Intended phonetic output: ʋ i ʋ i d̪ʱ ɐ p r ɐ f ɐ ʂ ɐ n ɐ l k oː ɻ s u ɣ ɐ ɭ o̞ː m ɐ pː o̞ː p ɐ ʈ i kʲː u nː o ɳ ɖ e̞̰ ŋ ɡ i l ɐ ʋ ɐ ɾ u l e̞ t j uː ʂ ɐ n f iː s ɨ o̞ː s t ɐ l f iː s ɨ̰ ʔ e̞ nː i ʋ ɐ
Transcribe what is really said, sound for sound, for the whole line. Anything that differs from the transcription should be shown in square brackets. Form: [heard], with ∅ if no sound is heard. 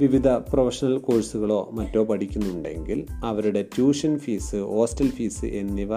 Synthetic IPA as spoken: ʋ i ʋ i d̪ʱ ɐ p r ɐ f ɐ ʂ ɐ n ɐ l k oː ɻ s u ɣ ɐ ɭ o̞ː m ɐ [tː] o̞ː p ɐ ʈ i kʲː u nː [u] ɳ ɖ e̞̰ ŋ ɡ i l ɐ ʋ ɐ ɾ u [ɽ] e̞ t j uː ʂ ɐ n f iː s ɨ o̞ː s t ɐ l f iː s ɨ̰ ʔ e̞ nː i ʋ ɐ